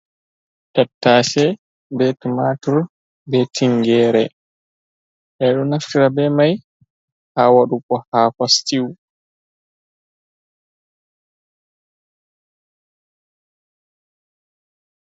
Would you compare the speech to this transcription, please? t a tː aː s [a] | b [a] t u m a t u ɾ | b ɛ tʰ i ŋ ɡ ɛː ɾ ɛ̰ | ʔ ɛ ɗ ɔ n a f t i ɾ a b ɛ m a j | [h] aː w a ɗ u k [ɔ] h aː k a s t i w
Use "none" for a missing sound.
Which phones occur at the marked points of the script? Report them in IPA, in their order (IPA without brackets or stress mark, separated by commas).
ɛ, ɛ, h, ɔ